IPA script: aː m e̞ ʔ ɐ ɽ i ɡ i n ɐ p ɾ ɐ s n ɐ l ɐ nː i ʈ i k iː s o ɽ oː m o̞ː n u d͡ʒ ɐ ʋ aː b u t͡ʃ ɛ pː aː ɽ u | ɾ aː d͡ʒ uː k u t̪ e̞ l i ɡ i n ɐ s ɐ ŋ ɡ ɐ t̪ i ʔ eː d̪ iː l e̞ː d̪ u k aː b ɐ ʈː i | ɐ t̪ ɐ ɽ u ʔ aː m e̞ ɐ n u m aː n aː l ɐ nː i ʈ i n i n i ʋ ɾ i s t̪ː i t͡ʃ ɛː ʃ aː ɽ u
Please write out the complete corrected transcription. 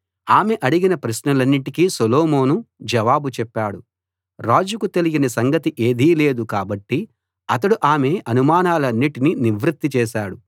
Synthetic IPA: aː m e̞ ʔ ɐ ɽ i ɡ i n ɐ p ɾ ɐ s n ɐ l ɐ nː i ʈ i k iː s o l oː m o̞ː n u d͡ʒ ɐ ʋ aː b u t͡ʃ ɛ pː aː ɽ u | ɾ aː d͡ʒ u k u t̪ e̞ l i ɡ i n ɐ s ɐ ŋ ɡ ɐ t̪ i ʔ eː d̪ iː l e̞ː d̪ u k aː b ɐ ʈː i | ɐ t̪ ɐ ɽ u ʔ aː m e̞ ɐ n u m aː n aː l ɐ nː i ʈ i n i n i ʋ ɾ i t̪ː i t͡ʃ ɛː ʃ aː ɽ u